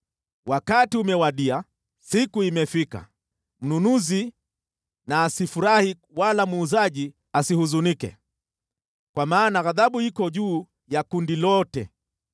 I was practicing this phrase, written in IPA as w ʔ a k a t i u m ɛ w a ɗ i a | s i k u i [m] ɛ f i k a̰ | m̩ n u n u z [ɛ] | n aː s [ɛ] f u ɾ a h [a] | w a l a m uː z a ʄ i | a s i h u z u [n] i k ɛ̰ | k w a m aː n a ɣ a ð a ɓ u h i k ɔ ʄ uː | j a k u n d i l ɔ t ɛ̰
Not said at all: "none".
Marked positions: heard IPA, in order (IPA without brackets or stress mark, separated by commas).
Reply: m, i, i, i, n